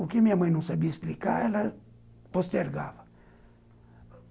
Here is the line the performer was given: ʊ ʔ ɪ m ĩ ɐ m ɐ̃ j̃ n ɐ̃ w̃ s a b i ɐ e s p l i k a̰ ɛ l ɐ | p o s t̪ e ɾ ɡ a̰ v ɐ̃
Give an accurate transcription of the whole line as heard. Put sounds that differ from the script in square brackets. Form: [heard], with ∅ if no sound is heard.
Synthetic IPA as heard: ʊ [k] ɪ m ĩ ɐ m ɐ̃ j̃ n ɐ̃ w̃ s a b i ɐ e s p l i k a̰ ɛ l ɐ | p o s t̪ e ɾ ɡ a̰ v [ɐ]